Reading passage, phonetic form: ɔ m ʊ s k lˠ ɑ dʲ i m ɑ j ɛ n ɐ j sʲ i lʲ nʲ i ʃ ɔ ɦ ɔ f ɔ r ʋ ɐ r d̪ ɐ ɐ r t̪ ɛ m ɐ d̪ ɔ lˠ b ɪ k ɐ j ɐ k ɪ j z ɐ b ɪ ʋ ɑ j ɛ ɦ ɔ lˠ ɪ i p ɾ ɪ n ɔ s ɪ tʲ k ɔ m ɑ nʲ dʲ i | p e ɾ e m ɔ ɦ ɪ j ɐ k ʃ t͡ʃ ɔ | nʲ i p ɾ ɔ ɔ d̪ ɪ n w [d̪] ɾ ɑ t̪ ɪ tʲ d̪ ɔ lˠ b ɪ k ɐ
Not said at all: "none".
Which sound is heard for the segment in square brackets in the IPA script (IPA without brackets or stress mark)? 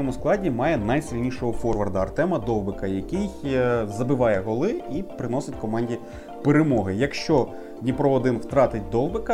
t̪